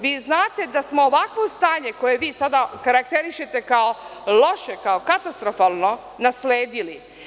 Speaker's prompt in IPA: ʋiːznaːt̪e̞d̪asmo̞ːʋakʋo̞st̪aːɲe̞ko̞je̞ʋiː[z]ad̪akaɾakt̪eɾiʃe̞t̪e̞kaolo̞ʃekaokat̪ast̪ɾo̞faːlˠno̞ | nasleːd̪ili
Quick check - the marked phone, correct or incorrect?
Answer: incorrect